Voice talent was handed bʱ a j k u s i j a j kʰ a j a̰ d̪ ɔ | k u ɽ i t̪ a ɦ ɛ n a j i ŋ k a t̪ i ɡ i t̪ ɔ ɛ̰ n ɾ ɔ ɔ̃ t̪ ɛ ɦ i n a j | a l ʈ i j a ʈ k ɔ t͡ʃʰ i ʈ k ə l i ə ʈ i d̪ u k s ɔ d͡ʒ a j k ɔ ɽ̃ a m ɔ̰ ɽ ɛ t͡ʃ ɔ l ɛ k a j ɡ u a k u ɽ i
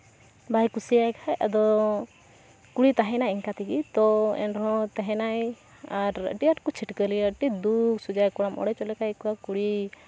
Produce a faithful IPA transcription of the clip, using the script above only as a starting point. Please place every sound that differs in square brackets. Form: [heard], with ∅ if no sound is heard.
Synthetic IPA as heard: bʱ a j k u s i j a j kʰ a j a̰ d̪ ɔ | k u ɽ i t̪ a ɦ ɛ n a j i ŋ k a t̪ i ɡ i t̪ ɔ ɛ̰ n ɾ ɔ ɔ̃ t̪ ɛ ɦ [ɛ] n a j | a [ɾ] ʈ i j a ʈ k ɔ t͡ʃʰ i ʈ k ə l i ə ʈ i d̪ u k s [u] d͡ʒ a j k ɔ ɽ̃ a m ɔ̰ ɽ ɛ t͡ʃ ɔ l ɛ k a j [k] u a k u ɽ i